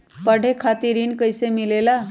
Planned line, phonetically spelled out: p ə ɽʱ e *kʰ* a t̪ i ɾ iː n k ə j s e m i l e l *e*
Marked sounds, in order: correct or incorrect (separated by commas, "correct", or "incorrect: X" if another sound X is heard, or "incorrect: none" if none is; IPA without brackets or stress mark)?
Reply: correct, incorrect: a